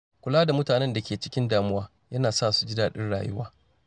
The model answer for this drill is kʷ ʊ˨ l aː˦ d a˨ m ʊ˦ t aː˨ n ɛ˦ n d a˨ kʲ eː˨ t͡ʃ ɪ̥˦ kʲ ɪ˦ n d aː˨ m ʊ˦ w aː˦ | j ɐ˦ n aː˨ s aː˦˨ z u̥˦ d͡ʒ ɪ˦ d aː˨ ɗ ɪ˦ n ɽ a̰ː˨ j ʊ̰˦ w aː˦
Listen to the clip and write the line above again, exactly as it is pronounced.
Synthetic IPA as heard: kʷ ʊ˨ l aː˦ d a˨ m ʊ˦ t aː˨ n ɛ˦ n d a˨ kʲ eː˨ t͡ʃ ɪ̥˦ kʲ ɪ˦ n d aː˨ m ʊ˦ w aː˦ | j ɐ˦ n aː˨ s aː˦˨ s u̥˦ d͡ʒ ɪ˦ d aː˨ ɗ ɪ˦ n ɽ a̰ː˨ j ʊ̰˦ w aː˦